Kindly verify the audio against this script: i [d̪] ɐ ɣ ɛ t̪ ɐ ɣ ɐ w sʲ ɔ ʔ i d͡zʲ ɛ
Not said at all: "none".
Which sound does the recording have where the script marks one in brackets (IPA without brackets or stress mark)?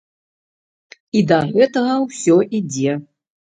d̪